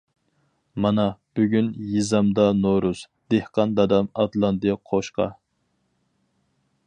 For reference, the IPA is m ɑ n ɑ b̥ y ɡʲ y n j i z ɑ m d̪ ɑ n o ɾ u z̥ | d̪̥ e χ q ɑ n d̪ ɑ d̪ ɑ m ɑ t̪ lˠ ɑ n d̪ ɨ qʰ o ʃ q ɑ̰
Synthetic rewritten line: m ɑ n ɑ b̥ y ɡʲ y n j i z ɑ m d̪ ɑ n o ɾ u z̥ | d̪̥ e h q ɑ n d̪ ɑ d̪ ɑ m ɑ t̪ lˠ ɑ n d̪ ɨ qʰ o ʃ q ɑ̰